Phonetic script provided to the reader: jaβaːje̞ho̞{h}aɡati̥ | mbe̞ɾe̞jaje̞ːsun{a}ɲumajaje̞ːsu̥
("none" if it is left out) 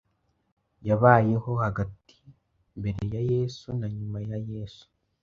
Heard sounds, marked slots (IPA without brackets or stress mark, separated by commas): h, a